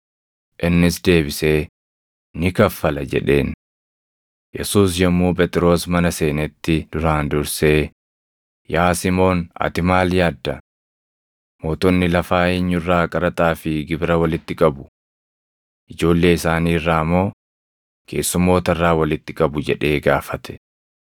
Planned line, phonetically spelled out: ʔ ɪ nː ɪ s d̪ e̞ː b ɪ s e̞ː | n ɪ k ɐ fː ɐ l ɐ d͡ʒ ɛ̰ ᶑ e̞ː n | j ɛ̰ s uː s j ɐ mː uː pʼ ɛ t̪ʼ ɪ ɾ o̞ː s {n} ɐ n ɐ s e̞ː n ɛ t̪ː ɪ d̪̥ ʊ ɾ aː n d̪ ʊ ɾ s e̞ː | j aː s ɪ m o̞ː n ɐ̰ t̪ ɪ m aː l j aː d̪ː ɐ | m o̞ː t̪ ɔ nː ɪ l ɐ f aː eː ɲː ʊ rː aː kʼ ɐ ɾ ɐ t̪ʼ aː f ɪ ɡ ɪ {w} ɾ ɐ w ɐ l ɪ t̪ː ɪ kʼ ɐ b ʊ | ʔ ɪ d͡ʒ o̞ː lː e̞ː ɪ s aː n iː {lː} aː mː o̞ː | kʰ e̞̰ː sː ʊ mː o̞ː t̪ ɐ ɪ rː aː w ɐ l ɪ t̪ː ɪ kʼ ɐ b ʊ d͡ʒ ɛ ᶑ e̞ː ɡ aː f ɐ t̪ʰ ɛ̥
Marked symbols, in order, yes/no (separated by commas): no, no, no